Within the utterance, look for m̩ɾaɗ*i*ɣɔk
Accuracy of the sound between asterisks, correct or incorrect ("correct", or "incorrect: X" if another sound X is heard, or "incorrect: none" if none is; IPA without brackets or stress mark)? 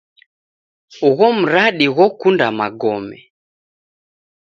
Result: correct